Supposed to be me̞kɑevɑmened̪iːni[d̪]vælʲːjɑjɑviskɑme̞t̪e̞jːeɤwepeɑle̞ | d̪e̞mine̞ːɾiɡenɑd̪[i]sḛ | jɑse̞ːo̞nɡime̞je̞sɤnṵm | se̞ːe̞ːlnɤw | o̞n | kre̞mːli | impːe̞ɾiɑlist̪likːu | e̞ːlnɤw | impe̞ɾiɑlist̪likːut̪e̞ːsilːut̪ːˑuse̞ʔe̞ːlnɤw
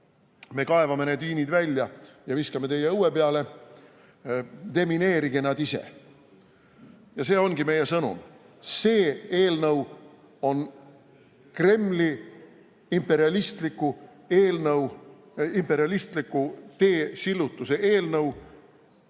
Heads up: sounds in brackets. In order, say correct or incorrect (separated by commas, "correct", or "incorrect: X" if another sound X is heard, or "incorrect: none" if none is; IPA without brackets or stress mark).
correct, correct